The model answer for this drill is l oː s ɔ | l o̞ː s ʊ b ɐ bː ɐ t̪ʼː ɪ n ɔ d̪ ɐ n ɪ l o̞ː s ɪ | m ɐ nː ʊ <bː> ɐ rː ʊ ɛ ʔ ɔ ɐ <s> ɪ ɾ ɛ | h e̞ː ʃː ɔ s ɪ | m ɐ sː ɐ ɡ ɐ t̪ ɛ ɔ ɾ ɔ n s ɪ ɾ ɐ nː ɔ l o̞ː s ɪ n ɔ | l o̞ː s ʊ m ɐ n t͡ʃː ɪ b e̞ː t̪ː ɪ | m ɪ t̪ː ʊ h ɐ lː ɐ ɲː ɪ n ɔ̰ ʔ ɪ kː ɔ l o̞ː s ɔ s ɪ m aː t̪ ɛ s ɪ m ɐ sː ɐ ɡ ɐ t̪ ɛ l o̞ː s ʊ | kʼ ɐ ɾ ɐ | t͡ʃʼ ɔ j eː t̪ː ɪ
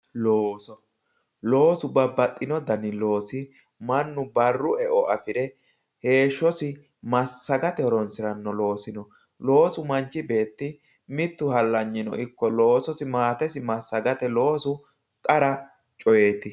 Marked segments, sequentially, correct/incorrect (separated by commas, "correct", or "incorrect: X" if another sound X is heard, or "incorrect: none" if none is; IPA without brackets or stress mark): incorrect: b, incorrect: f